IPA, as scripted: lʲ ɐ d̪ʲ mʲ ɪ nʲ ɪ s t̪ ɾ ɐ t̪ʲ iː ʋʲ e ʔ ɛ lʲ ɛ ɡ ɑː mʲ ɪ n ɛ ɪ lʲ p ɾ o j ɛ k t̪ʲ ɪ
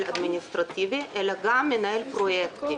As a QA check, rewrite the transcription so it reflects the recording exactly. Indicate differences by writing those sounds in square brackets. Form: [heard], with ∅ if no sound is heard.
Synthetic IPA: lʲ ɐ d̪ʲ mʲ ɪ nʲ ɪ s t̪ ɾ ɐ t̪ʲ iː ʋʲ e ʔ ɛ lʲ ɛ ɡ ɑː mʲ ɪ n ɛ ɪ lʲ p ɾ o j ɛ k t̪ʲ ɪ